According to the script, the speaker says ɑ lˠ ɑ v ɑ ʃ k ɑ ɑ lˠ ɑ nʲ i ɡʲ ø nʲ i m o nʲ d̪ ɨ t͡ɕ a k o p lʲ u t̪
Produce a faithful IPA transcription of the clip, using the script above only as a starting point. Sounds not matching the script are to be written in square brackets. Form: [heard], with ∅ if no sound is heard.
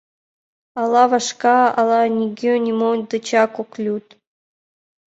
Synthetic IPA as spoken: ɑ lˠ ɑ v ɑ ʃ k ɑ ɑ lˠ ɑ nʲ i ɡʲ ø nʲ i m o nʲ d̪ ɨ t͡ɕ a k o [k] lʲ u t̪